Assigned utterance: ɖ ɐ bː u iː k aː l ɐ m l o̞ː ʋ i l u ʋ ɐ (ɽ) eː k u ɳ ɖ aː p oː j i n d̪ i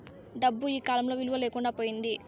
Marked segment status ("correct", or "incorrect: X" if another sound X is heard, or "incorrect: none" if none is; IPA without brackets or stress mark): incorrect: l